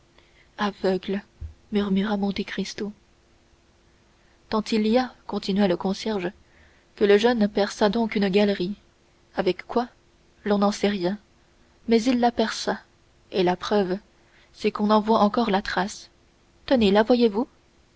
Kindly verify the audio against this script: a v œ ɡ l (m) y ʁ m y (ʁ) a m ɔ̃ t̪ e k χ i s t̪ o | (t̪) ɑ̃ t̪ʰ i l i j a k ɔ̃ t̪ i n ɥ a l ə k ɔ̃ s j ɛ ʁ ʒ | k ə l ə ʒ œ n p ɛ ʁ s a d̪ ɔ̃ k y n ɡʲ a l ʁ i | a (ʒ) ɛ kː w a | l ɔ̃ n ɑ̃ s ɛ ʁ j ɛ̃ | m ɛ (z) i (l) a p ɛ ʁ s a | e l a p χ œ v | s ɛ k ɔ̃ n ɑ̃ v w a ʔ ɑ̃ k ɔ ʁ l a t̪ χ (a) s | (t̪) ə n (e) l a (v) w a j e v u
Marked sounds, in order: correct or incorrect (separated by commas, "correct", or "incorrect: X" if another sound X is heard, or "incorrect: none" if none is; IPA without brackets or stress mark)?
correct, correct, correct, incorrect: v, correct, incorrect: lː, correct, correct, correct, correct